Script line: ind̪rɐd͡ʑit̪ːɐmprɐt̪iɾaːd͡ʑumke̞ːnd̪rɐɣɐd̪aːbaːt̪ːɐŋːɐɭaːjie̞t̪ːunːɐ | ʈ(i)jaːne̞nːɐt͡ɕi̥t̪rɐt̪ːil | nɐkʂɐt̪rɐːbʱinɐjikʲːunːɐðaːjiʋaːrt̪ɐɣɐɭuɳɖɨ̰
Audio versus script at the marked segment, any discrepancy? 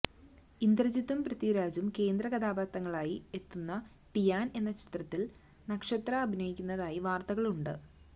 no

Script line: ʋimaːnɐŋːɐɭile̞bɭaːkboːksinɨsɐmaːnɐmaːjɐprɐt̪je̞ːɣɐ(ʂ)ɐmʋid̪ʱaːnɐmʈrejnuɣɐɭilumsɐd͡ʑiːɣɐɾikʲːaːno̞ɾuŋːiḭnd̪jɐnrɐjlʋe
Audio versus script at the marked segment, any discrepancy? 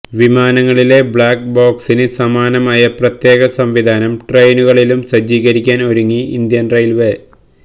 yes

